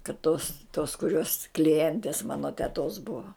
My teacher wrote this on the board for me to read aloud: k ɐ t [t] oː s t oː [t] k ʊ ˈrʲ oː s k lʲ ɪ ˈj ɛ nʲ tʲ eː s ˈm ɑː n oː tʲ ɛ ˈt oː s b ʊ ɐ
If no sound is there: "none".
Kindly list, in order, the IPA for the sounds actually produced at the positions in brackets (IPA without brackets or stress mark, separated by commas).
t, s